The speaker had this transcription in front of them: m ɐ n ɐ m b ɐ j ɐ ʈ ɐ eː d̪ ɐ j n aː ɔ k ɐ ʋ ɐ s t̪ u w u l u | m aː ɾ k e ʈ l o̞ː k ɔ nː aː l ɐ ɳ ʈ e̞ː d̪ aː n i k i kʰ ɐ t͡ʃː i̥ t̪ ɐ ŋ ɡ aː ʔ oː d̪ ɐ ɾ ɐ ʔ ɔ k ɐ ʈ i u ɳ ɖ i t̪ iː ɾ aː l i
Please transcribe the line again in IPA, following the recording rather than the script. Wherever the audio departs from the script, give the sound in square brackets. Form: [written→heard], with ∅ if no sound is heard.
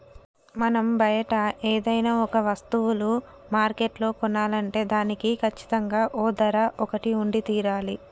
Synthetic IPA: m ɐ n ɐ m b ɐ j ɐ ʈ ɐ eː d̪ ɐ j n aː ɔ k ɐ ʋ ɐ s t̪ u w u l u | m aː ɾ k e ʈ l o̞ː k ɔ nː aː l ɐ ɳ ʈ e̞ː d̪ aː n i k i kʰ ɐ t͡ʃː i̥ t̪ ɐ ŋ ɡ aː ʔ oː d̪ ɐ ɾ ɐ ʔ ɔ k ɐ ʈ i u ɳ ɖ i t̪ iː ɾ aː l i

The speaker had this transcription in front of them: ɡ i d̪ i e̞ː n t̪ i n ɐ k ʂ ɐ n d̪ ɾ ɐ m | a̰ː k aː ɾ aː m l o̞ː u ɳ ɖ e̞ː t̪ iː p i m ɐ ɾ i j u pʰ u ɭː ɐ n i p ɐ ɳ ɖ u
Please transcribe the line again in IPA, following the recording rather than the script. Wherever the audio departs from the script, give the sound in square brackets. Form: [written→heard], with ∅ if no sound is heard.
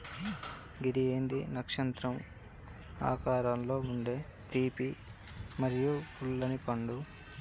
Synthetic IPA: ɡ i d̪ i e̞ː n [t̪→d̪] i n ɐ k ʂ ɐ n [d̪→t̪] ɾ ɐ m | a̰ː k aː ɾ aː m l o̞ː u ɳ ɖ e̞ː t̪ iː p i m ɐ ɾ i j u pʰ u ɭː ɐ n i p ɐ ɳ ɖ u

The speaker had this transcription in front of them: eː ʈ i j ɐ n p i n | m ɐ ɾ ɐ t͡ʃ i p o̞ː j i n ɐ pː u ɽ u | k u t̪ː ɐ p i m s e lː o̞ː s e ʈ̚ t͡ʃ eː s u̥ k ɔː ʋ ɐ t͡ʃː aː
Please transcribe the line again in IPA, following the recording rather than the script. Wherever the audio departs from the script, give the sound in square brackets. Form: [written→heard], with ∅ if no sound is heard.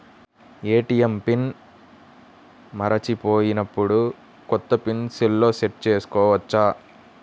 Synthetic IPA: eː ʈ i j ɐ [n→m] p i n | m ɐ ɾ ɐ t͡ʃ i p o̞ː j i n ɐ pː u ɽ u | k [u→ɔ] t̪ː ɐ p i [m→n] s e lː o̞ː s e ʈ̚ t͡ʃ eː s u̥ k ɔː ʋ ɐ t͡ʃː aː

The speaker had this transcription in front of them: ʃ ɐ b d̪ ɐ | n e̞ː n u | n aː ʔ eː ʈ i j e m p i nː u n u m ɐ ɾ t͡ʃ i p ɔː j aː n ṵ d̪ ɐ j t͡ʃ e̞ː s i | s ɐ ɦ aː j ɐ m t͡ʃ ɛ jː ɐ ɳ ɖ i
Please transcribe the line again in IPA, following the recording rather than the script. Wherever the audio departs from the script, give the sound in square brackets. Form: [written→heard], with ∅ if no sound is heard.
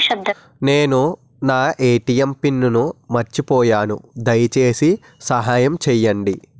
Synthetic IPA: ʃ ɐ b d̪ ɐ | n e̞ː n u | n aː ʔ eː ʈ i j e m p i nː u n u m ɐ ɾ t͡ʃ i p ɔː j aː n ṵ d̪ ɐ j t͡ʃ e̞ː s i | s ɐ ɦ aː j ɐ m t͡ʃ ɛ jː ɐ ɳ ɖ i

